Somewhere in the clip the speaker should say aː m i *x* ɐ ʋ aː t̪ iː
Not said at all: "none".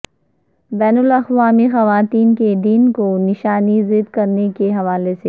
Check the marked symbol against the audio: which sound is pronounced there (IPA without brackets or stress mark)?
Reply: x